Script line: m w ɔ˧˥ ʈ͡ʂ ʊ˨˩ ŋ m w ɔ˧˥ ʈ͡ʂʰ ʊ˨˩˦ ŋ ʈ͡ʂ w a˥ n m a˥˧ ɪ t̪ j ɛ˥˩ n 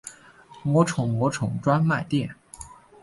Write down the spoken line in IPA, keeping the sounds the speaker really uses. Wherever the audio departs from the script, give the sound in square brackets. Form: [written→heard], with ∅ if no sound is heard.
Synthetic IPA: m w ɔ˧˥ [ʈ͡ʂ→ʈ͡ʂʰ] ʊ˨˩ ŋ m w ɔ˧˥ ʈ͡ʂʰ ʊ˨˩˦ ŋ ʈ͡ʂ w a˥ n m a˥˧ ɪ t̪ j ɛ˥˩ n